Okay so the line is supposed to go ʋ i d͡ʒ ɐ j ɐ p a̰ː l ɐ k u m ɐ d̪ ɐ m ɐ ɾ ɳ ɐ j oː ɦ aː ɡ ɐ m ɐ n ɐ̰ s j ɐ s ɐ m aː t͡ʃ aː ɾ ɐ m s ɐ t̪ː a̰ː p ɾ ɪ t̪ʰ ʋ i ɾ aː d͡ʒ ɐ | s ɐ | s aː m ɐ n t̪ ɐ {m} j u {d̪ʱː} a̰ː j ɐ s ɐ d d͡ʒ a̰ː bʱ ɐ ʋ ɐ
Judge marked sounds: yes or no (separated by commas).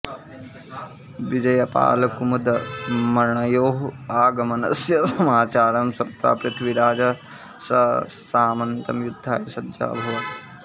yes, yes